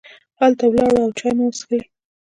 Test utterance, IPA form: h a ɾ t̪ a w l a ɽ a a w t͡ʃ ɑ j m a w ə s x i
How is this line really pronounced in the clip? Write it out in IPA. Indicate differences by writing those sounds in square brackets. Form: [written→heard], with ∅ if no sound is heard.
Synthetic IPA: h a [ɾ→l] t̪ a w l [a→ɑ] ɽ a a w t͡ʃ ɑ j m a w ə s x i